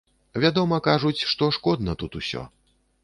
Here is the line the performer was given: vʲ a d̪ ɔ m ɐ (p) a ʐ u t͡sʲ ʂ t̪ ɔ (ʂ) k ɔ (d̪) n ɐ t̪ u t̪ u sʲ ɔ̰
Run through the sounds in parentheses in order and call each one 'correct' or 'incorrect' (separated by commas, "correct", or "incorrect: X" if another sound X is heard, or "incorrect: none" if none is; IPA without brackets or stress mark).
incorrect: k, correct, correct